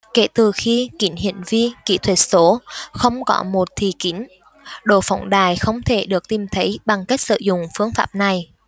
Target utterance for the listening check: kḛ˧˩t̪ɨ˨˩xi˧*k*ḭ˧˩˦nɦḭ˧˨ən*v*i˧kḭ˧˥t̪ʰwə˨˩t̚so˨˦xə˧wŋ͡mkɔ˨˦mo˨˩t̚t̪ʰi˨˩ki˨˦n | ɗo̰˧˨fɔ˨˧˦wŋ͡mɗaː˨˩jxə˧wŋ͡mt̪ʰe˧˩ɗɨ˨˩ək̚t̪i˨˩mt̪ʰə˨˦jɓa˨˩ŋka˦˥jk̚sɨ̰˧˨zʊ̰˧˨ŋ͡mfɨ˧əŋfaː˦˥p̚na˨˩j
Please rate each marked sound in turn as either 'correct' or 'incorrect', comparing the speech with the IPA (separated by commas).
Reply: correct, correct